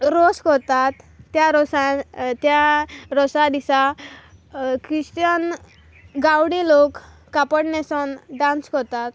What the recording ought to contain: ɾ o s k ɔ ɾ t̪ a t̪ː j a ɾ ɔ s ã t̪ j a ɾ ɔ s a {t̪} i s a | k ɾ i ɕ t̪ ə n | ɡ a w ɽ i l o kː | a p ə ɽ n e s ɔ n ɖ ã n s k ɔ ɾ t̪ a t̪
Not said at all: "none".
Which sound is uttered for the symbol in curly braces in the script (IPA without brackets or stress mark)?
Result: d̪